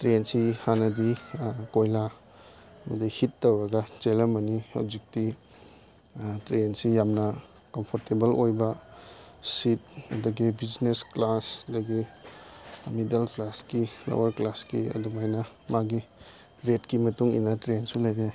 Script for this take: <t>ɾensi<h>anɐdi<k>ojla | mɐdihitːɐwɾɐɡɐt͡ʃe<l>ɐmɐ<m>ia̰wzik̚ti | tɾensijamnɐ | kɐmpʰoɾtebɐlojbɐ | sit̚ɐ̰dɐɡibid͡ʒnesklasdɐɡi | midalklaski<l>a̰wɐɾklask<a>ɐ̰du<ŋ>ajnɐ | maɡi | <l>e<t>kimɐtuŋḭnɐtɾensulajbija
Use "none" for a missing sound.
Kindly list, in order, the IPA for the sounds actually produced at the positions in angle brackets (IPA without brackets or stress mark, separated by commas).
t, h, k, l, n, l, i, m, ɾ, t